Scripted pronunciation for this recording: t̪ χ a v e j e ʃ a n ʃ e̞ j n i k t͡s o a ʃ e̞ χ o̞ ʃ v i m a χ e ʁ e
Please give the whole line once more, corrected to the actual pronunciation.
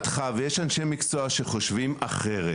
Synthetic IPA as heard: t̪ χ a v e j e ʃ a n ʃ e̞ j m i k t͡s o a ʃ e̞ χ o̞ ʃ v i m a χ e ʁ e

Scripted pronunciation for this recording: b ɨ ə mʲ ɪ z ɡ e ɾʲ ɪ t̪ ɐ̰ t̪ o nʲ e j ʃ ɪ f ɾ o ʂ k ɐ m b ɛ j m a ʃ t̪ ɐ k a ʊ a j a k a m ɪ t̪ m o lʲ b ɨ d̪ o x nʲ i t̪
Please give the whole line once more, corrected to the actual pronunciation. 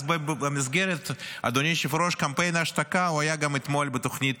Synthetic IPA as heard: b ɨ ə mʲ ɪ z ɡ e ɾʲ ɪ t̪ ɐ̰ d̪ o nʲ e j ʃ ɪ f ɾ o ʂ k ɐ m p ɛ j n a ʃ t̪ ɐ k a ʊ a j a ɡ a m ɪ t̪ m o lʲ b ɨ t̪ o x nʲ i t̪

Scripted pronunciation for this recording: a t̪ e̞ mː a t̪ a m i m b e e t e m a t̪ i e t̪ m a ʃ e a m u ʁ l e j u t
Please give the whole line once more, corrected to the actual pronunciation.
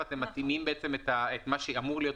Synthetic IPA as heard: a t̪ e̞ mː a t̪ i m i m b e e t͡s e m e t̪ a e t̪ m a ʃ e a m u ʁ l i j o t

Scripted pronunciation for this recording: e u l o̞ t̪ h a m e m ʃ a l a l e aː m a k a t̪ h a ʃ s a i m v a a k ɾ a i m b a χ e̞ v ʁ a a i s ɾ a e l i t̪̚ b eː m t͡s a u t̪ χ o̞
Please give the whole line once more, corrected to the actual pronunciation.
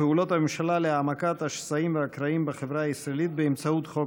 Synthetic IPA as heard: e u l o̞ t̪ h a m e m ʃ a l a l e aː m a k a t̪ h a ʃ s a i m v e a k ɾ a i m b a χ e̞ v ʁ a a i s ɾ a e l i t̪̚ b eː m t͡s a u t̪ χ o̞

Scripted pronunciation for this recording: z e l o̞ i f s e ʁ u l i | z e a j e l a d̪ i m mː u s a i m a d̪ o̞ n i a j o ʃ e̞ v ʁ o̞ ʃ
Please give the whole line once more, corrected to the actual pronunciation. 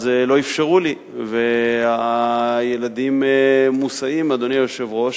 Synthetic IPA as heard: z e l o̞ i f ʃ e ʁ u l i | v e a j e l a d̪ i m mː u s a i m a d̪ o̞ n i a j o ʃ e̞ v ʁ o̞ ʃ

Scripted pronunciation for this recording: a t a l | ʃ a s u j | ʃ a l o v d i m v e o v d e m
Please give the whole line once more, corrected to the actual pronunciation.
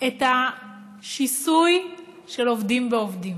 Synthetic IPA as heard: e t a | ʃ i s u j | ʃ e l o v d i m v e o v d i m

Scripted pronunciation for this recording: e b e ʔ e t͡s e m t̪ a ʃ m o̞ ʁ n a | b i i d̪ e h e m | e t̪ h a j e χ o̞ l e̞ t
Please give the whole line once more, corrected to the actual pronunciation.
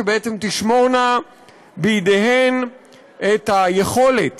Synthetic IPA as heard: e b e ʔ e t͡s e m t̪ i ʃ m o̞ ʁ n a | b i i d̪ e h e n | e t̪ h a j e χ o̞ l e̞ t

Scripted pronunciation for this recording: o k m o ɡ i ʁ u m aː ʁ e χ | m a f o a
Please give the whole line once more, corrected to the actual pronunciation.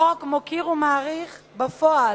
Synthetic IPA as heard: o k m o k i ʁ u m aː ʁ i χ | b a f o a

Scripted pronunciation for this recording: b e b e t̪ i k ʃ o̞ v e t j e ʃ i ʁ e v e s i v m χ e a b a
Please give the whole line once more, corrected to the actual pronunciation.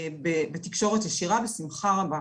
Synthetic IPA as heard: b e b e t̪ i k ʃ o̞ ʁ e t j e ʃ i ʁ a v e s i m χ a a b a

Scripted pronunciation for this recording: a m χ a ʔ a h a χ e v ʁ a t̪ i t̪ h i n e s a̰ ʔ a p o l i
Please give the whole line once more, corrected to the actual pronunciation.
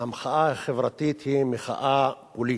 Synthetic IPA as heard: a m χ a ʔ a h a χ e v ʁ a t̪ i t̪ h i m e χ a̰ ʔ a p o l i

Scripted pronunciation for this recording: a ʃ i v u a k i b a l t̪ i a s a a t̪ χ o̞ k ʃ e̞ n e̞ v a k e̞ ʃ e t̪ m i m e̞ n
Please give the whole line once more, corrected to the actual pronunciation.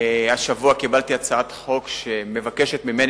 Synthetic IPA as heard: a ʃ a v u a k i b a l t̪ i a t͡s a a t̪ χ o̞ k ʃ e̞ m e̞ v a k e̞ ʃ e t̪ m i m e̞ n

